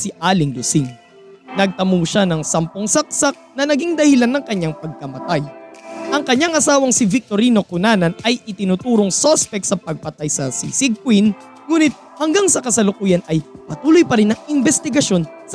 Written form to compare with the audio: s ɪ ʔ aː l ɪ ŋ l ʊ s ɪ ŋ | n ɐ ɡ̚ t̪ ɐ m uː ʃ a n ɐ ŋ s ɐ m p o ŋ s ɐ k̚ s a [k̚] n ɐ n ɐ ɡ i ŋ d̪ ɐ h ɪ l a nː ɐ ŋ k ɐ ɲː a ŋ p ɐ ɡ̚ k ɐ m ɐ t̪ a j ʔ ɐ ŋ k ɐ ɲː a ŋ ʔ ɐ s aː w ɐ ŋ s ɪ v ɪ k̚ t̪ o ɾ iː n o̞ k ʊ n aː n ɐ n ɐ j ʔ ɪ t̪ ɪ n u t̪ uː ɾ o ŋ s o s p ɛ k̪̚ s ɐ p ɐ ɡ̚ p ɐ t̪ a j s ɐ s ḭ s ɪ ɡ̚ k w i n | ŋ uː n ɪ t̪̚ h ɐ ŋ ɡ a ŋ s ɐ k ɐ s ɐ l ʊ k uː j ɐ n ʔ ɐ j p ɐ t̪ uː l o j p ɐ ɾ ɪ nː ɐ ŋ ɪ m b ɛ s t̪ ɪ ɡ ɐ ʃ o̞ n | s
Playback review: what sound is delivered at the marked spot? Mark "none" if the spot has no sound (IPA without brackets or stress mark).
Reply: k̚